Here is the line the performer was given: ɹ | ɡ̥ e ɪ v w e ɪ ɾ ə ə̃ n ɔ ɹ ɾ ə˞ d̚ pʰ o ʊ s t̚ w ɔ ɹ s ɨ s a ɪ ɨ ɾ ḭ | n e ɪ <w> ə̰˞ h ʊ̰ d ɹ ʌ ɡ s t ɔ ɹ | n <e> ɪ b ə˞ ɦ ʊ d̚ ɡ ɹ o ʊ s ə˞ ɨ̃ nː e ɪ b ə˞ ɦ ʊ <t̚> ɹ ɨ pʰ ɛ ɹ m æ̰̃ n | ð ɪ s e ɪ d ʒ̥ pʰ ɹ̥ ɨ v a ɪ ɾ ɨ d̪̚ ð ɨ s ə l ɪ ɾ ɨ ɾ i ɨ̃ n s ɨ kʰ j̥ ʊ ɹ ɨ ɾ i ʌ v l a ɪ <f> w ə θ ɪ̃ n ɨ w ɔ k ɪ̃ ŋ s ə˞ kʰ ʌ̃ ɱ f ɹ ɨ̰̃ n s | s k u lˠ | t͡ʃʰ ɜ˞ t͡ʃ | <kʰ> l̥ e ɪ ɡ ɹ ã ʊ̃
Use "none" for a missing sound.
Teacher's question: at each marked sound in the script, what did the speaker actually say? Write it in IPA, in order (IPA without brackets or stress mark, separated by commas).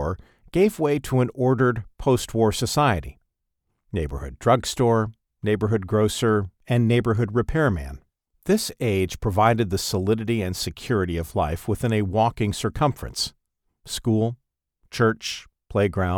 b, e, d̚, f, pʰ